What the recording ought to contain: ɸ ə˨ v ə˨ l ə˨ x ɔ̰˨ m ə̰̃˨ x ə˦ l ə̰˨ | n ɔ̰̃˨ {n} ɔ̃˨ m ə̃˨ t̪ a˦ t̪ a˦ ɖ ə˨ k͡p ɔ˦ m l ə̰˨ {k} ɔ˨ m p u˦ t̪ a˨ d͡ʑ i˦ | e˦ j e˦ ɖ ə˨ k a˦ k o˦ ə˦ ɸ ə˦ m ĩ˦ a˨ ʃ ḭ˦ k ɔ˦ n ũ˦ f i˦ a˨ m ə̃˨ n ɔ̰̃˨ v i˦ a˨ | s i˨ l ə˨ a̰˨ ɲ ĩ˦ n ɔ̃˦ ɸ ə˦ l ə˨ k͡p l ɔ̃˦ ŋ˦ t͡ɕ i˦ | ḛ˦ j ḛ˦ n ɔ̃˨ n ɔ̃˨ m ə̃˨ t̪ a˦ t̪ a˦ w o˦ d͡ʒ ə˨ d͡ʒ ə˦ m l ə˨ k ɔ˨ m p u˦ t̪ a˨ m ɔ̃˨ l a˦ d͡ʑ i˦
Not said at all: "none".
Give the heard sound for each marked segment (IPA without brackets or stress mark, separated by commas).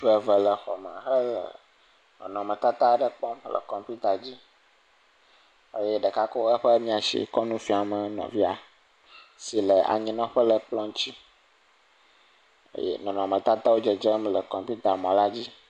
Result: n, k